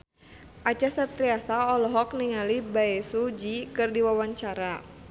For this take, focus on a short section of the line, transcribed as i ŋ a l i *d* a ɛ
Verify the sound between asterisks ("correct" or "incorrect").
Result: incorrect